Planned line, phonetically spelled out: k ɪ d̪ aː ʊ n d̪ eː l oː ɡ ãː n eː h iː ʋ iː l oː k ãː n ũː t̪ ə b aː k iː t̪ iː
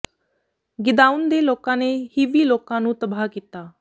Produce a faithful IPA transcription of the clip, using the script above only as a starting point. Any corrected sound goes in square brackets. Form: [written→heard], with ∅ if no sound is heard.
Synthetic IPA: [k→ɡ] ɪ d̪ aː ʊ n d̪ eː l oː [ɡ→k] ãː n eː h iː ʋ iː l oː k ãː n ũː t̪ ə b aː k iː t̪ [iː→aː]